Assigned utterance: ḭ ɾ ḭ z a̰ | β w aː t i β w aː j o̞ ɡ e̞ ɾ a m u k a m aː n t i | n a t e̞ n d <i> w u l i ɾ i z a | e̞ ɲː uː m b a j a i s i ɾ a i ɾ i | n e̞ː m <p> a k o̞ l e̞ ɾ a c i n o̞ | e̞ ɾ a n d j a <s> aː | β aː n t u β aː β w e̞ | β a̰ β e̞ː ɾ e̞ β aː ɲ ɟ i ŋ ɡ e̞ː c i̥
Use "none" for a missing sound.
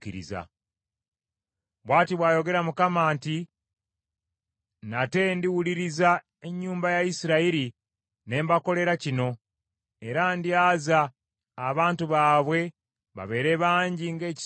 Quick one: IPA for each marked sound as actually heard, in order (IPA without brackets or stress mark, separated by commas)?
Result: i, b, z